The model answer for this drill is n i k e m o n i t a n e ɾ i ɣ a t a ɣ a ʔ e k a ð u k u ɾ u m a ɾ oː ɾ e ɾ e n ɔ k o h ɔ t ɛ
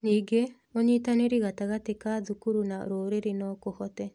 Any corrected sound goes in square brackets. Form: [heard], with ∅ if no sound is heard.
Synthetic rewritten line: n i [ɡ] e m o [ɲ] i t a n e ɾ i ɣ a t a ɣ a [t] e k a ð u k u ɾ u [n] a ɾ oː ɾ e ɾ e n ɔ k o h ɔ t ɛ